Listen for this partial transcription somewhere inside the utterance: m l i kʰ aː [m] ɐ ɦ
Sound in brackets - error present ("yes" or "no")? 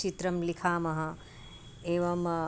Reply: no